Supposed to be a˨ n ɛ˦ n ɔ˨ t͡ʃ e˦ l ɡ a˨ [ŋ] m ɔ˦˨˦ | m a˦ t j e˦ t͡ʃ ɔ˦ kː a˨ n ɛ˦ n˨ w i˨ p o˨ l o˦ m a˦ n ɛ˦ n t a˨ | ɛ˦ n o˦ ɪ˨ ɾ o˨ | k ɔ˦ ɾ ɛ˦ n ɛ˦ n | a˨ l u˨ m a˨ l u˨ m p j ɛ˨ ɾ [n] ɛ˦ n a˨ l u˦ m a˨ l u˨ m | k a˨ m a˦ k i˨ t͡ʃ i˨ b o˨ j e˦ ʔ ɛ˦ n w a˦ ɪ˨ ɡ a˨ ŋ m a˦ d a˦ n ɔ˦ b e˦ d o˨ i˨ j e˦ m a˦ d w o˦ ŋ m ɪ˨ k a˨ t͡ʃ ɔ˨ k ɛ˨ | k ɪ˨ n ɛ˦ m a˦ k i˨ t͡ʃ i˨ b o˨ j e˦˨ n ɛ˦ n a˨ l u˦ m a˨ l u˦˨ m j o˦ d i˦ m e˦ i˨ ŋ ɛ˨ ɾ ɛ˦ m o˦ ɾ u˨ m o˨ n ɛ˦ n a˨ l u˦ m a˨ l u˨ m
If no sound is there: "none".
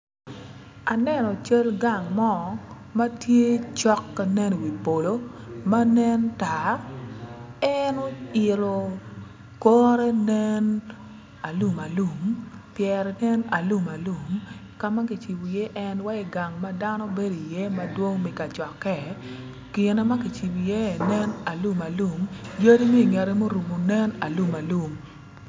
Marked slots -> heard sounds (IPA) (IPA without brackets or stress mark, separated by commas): ŋ, n